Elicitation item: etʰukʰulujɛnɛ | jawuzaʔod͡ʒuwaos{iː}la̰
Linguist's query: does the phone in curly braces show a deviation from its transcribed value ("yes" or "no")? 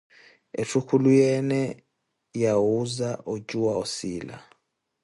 no